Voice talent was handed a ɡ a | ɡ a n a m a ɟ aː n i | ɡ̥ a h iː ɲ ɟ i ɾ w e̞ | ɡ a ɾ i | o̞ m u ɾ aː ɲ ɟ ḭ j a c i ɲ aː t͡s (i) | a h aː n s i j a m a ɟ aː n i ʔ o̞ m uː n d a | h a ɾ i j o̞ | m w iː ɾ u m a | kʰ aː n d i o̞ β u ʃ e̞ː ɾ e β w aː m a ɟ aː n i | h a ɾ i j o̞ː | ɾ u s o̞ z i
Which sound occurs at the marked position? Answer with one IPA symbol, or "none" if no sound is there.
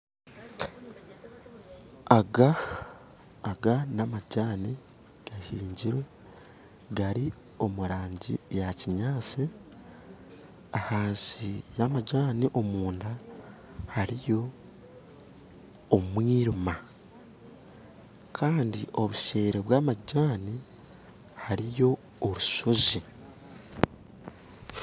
i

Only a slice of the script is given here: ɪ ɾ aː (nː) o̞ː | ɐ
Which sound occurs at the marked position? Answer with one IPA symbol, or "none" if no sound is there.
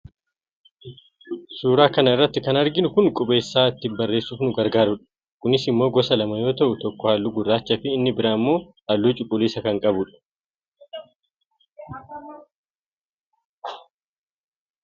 mː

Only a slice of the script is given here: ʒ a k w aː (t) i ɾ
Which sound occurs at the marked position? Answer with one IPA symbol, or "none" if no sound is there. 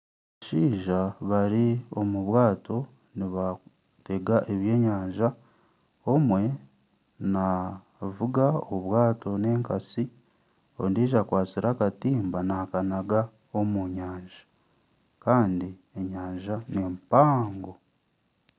t͡s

